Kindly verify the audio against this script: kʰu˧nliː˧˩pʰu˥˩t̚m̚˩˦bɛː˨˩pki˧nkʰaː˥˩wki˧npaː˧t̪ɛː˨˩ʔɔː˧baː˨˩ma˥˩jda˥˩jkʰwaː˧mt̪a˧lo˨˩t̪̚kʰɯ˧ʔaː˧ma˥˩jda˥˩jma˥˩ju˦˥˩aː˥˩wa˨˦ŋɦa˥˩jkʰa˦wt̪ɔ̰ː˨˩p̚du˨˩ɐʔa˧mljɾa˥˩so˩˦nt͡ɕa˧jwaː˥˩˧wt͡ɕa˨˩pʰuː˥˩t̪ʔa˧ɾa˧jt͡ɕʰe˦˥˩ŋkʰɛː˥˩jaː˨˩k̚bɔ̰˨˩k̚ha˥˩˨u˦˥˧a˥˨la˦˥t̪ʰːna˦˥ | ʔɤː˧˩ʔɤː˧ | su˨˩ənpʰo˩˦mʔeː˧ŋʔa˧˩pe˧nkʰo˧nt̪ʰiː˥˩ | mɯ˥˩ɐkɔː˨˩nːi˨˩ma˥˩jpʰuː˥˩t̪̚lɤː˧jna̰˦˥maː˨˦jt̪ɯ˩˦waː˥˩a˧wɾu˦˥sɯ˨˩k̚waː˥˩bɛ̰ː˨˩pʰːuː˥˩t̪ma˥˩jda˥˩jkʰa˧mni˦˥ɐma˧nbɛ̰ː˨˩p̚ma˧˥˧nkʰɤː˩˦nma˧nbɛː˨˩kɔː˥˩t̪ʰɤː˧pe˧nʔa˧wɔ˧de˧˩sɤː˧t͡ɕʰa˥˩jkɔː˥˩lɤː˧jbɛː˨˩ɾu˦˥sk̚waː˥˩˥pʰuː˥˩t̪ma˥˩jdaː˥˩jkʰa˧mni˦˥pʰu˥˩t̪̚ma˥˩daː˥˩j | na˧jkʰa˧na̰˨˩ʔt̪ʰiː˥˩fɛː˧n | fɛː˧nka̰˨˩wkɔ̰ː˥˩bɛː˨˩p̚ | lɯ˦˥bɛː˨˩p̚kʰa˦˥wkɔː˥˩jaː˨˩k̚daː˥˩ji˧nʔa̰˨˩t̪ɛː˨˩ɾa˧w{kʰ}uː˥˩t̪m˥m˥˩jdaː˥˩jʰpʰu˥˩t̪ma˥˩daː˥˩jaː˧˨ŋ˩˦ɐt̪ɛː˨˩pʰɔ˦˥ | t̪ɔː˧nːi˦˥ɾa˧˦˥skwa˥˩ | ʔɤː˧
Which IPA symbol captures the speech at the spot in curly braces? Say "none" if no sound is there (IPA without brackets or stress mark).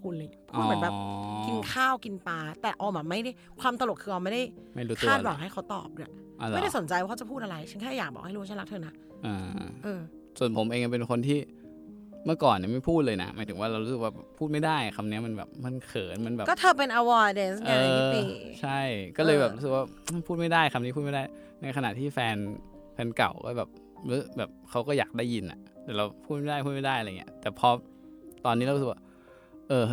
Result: pʰ